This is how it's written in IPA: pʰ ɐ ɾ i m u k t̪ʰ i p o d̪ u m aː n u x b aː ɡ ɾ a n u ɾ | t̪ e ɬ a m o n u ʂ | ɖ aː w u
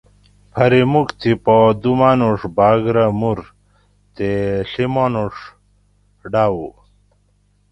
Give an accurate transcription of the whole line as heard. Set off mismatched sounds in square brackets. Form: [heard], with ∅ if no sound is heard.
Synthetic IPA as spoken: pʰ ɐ ɾ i m u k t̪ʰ i p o d̪ u m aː n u [ʂ] b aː ɡ ɾ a [m] u ɾ | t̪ e ɬ [i] m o n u ʂ | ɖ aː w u

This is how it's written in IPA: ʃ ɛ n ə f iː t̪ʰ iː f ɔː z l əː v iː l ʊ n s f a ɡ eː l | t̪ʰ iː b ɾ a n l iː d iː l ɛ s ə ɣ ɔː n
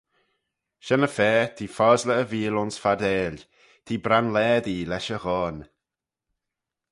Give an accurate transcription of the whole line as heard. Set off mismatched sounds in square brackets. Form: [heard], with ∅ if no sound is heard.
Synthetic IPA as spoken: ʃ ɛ n ə f [ɛː] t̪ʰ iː f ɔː z l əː v iː l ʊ n s f a [d] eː l | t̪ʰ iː b ɾ a n l [ɛː] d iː l ɛ [ʃ] ə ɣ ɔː n

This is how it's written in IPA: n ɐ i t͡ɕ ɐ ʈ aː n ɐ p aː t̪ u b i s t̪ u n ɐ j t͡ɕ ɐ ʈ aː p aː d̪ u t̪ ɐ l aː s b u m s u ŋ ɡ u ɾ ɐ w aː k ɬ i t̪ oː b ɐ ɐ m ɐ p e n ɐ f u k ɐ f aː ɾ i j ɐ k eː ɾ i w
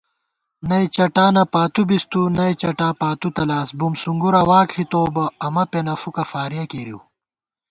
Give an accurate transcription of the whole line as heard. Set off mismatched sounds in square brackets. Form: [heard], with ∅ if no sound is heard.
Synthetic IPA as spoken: n ɐ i t͡ɕ ɐ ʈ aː n ɐ p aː t̪ u b i s t̪ u n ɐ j t͡ɕ ɐ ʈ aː p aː [t̪] u t̪ ɐ l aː s b u m s u ŋ ɡ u ɾ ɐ w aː k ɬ i t̪ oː b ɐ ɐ m ɐ p e n ɐ f u k ɐ f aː ɾ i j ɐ k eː ɾ i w

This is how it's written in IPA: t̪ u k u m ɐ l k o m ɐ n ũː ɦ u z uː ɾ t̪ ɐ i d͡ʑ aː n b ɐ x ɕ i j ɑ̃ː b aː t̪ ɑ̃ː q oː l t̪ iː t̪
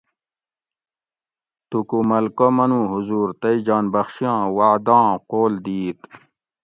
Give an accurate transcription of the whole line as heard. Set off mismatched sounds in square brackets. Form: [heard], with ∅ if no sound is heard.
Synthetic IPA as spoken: t̪ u k u m ɐ l k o m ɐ n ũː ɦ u z uː ɾ t̪ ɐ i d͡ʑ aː n b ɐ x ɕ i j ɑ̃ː [w] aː [d̪] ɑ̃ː q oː l [d̪] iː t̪

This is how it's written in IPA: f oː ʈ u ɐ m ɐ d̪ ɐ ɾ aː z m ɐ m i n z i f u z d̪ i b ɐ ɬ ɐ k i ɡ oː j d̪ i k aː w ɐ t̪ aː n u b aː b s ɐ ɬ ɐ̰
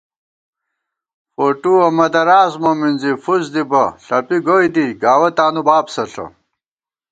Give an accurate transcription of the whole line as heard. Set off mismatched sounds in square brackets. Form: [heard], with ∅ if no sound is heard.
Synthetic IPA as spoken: f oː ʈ u ɐ m ɐ d̪ ɐ ɾ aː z m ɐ m i n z i f u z d̪ i b ɐ ɬ ɐ [p] i ɡ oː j d̪ i [ɡ] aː w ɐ t̪ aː n u b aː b s ɐ ɬ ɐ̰

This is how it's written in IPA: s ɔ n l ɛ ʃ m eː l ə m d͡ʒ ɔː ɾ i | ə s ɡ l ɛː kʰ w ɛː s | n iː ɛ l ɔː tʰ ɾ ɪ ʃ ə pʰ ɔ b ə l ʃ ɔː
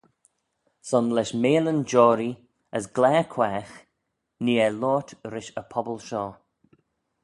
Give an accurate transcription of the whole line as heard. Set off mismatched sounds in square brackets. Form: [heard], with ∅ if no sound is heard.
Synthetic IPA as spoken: s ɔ n l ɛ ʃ m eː l ə [n] d͡ʒ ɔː ɾ i | ə s ɡ l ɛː kʰ w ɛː [x] | n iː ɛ l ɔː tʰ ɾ ɪ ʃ ə pʰ ɔ b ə l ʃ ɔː

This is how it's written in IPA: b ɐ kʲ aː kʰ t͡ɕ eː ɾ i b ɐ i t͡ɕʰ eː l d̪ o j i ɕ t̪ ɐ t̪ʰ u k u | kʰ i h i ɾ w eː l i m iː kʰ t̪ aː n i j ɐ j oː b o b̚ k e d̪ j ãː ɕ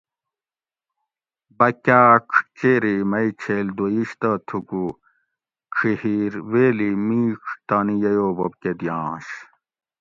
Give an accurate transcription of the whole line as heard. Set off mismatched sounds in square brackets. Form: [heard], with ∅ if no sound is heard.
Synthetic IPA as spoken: b ɐ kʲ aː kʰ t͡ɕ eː ɾ i [m] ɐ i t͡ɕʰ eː l d̪ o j i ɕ t̪ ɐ t̪ʰ u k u | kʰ i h i ɾ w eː l i m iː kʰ t̪ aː n i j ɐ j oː b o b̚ k e d̪ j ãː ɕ

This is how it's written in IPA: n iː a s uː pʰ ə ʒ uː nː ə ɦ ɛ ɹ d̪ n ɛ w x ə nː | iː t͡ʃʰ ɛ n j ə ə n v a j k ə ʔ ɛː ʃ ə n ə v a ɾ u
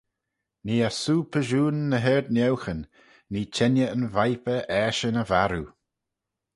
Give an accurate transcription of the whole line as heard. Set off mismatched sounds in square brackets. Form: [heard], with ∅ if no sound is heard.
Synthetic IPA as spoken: n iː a s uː pʰ ə ʒ uː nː ə ɦ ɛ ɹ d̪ n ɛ w x ə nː | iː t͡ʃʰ ɛ n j ə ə n v a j [p] ə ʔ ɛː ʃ ə n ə v a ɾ u

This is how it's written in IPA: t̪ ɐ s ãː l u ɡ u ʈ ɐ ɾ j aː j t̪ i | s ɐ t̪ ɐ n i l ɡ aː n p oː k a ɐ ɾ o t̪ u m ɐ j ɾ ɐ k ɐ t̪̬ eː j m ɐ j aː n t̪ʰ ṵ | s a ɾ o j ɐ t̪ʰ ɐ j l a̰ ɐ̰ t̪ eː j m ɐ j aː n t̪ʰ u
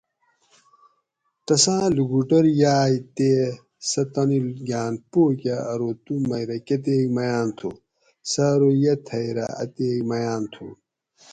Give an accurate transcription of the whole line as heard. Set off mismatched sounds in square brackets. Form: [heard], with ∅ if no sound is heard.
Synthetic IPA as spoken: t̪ ɐ s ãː l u ɡ u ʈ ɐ ɾ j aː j t̪ [e] | s ɐ t̪ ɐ n i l ɡ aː n p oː k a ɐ ɾ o t̪ u m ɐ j ɾ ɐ k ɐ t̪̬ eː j m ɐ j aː n t̪ʰ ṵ | s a ɾ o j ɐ t̪ʰ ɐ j [ɾ] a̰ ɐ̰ t̪ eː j m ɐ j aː n t̪ʰ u

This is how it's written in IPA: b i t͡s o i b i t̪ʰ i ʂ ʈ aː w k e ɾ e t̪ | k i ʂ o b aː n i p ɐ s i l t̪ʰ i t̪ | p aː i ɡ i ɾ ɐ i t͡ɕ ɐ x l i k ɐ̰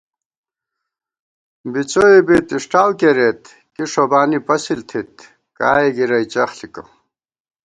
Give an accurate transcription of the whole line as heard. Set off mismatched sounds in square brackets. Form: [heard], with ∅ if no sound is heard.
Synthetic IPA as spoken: b i t͡s o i b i [t̪] i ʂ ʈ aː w k e ɾ e t̪ | k i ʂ o b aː n i p ɐ s i l t̪ʰ i t̪ | [k] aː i ɡ i ɾ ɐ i t͡ɕ ɐ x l i k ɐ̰

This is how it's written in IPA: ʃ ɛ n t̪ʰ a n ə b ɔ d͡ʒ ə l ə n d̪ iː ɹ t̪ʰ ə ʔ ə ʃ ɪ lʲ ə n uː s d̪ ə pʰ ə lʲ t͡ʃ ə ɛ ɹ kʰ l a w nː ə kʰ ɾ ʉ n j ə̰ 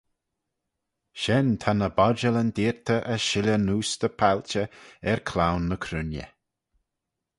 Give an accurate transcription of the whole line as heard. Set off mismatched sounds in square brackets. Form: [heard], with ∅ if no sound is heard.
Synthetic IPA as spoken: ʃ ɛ n t̪ʰ a n ə b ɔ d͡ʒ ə l ə n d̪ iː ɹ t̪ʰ ə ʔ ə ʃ ɪ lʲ ə n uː s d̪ ə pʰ [a] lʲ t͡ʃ ə ɛ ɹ kʰ l a w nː ə kʰ ɾ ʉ n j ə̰

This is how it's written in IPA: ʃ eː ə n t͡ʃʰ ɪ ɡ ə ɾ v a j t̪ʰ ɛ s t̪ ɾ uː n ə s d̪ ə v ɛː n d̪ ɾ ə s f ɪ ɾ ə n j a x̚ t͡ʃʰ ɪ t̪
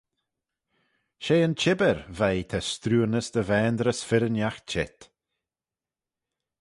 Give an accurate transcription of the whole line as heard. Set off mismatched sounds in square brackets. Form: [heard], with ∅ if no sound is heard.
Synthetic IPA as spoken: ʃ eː ə n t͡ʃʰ ɪ [b] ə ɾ v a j t̪ʰ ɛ s t̪ ɾ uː n ə s d̪ ə v ɛː n d̪ ɾ ə s f ɪ ɾ ə n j a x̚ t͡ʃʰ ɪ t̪

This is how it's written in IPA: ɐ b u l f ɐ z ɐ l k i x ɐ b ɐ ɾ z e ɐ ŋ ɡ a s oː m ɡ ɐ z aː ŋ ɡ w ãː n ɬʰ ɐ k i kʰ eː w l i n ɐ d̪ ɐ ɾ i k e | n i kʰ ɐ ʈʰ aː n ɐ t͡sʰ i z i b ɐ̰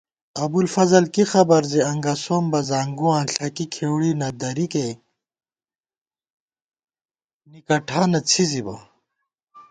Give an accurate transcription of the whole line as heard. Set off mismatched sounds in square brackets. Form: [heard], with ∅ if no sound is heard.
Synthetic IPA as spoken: ɐ b u l f ɐ z ɐ l k i x ɐ b ɐ ɾ z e ɐ ŋ ɡ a s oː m [b] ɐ z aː ŋ ɡ [u] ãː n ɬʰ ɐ k i kʰ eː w [ɽ] i n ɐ d̪ ɐ ɾ i k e | n i [k] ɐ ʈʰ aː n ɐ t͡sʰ i z i b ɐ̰

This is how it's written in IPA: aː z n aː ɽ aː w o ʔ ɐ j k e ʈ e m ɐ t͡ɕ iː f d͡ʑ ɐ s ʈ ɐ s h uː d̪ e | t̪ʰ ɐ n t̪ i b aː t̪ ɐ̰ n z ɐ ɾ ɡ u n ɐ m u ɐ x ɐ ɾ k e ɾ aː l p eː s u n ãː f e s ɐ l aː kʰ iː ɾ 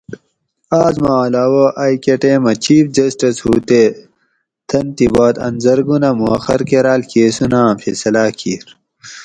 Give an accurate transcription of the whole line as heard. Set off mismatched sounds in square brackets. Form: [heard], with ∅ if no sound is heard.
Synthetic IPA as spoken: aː z [m] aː [l] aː w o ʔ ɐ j k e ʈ e m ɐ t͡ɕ iː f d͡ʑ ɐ s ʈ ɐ s h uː [t̪] e | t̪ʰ ɐ n t̪ i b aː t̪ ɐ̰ n z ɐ ɾ ɡ u n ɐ m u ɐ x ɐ ɾ k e ɾ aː l [k] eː s u n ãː f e s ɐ l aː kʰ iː ɾ

